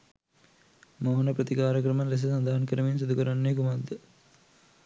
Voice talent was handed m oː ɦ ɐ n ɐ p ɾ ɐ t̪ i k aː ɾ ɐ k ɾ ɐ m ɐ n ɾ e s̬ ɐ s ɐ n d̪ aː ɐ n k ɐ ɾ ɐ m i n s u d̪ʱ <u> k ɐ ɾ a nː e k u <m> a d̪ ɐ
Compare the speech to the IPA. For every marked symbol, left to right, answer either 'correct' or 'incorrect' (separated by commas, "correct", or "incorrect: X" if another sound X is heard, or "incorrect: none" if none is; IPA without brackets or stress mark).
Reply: correct, correct